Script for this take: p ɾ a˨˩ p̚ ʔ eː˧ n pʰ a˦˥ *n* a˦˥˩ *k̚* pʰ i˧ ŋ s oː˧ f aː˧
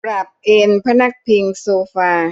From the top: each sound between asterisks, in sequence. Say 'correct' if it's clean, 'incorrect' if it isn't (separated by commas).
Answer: correct, correct